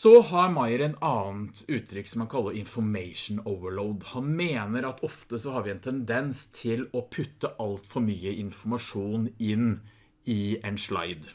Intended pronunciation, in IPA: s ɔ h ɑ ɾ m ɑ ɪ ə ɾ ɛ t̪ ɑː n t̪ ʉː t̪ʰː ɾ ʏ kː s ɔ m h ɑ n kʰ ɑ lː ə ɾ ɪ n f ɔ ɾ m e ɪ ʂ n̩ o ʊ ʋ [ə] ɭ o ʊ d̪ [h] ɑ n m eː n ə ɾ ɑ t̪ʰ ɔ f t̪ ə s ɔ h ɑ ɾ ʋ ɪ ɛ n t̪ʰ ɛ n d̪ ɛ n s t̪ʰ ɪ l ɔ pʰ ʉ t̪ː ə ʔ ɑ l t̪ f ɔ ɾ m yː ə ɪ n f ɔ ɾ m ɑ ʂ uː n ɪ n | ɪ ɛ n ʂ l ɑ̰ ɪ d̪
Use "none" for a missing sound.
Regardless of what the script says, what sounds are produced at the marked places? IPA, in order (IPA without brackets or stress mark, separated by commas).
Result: ə, h